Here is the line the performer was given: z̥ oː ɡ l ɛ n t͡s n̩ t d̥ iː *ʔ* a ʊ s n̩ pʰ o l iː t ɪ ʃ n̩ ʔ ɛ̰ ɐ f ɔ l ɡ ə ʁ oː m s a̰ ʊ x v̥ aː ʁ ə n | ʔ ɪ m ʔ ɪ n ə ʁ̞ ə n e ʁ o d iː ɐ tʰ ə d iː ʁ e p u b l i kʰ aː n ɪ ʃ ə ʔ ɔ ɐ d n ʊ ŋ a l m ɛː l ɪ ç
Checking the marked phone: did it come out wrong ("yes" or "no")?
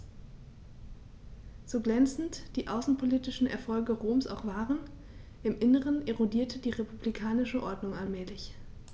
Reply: no